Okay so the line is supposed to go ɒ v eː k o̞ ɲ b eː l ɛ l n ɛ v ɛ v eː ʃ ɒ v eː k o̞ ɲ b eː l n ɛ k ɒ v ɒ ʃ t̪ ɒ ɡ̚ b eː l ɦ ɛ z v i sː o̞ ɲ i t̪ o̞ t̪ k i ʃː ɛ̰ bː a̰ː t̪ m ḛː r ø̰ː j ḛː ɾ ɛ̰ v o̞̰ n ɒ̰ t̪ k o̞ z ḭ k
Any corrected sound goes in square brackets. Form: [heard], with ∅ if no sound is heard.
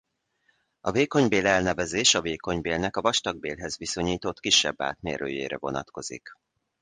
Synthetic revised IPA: ɒ v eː k o̞ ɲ b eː l ɛ l n ɛ v ɛ [z] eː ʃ ɒ v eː k o̞ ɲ b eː l n ɛ k ɒ v ɒ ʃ t̪ ɒ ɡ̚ b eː l ɦ ɛ z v i [s] o̞ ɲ [iː] t̪ o̞ t̪ k i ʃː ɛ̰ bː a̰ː t̪ m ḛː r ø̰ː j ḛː ɾ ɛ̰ v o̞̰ n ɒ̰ t̪ k o̞ z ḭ k

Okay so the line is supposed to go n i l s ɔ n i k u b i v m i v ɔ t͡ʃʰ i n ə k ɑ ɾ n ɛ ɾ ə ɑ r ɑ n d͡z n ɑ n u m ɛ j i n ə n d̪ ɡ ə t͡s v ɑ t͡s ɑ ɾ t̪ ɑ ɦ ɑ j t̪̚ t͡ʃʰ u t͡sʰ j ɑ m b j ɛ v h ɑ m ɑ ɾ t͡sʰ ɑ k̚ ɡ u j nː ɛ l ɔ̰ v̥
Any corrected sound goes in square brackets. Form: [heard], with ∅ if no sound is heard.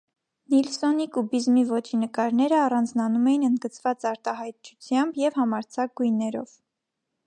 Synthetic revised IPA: n i l s ɔ n i k u b i [z] m i v ɔ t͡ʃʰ i n ə k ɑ ɾ n ɛ ɾ ə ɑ r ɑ n d͡z n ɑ n u m ɛ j i n ə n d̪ ɡ ə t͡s v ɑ t͡s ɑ ɾ t̪ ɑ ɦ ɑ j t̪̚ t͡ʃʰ u t͡sʰ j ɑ m b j ɛ v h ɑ m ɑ ɾ t͡sʰ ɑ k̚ ɡ u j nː ɛ [ɾ] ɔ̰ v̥

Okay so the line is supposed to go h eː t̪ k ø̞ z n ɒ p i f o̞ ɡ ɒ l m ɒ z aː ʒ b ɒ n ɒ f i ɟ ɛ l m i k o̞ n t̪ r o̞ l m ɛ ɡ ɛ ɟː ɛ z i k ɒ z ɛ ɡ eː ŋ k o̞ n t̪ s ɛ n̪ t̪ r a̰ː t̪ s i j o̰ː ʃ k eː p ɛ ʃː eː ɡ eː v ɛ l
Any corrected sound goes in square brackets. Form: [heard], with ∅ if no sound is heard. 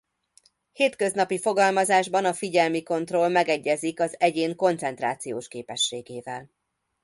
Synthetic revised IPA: h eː t̪ k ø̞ z n ɒ p i f o̞ ɡ ɒ l m ɒ z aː ʒ b ɒ n ɒ f i ɟ ɛ l m i k o̞ n t̪ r o̞ l m ɛ ɡ ɛ ɟː ɛ z i k ɒ z ɛ [ɟ] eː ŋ k o̞ n t̪ s ɛ n̪ t̪ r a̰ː t̪ s i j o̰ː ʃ k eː p ɛ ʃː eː ɡ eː v ɛ l

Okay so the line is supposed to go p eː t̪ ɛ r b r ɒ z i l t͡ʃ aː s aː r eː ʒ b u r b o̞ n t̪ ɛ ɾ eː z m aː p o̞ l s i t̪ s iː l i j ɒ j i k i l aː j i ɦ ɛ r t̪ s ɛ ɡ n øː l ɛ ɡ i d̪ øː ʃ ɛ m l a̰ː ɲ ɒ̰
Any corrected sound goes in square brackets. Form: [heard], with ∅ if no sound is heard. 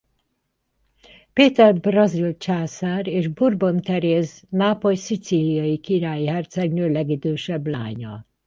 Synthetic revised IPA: p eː t̪ ɛ r b r ɒ z i l t͡ʃ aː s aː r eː ʒ b u r b o̞ n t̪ ɛ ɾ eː z [n] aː p o̞ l s i t̪ s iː l i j ɒ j i k i [ɾ] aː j i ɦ ɛ r t̪ s ɛ ɡ n øː l ɛ ɡ i d̪ øː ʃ ɛ [b] l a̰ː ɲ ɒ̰

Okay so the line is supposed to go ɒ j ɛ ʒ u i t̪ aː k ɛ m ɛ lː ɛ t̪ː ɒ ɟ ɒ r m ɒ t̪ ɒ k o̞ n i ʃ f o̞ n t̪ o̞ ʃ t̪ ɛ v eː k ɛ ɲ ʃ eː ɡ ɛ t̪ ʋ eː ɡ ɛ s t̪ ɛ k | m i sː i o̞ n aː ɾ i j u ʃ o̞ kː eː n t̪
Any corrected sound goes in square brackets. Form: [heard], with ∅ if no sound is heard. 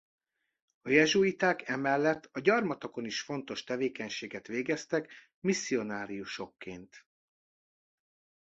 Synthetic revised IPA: ɒ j ɛ ʒ u i t̪ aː k ɛ m ɛ lː ɛ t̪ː ɒ ɟ ɒ r m ɒ t̪ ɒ k o̞ n i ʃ f o̞ n t̪ o̞ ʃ t̪ ɛ v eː k ɛ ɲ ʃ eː ɡ ɛ t̪ ʋ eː ɡ ɛ s t̪ ɛ k | m i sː i o̞ n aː ɾ i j u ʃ o̞ kː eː n t̪

